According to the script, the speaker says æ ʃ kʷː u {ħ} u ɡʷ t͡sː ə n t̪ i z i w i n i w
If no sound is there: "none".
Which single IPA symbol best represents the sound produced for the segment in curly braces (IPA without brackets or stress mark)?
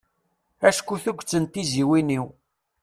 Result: θ